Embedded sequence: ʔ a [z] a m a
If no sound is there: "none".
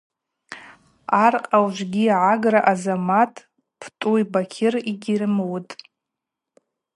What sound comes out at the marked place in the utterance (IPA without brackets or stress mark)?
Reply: z